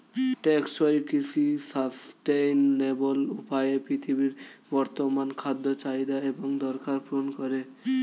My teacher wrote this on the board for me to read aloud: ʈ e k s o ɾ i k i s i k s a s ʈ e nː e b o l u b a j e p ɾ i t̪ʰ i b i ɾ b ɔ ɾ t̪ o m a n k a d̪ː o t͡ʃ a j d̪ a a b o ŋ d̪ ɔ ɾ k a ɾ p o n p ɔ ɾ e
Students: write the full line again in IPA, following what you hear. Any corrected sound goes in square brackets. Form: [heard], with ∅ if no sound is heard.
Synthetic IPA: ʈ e k s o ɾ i k i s i [∅] s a s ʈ e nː e b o l u [p] a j e p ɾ i t̪ʰ i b i ɾ b ɔ ɾ t̪ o m a n [kʰ] a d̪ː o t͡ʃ a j d̪ a [e] b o ŋ d̪ ɔ ɾ k a ɾ p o n [k] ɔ ɾ e